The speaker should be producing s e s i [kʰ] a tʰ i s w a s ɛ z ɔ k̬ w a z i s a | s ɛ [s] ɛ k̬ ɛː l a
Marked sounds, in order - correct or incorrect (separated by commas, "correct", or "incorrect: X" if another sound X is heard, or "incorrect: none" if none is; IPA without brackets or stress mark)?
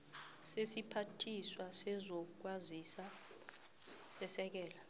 incorrect: pʰ, correct